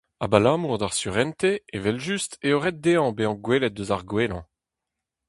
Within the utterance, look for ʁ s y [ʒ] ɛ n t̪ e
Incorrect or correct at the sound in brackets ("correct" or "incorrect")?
incorrect